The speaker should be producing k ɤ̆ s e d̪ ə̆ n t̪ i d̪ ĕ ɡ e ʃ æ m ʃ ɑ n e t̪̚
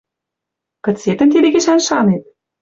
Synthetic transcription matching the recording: k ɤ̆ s e t̪ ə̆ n t̪ i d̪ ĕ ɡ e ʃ æ n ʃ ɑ n e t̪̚